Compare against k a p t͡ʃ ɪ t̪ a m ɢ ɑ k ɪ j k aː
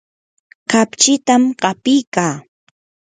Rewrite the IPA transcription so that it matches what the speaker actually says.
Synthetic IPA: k a p t͡ʃ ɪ t̪ a m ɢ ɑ p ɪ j k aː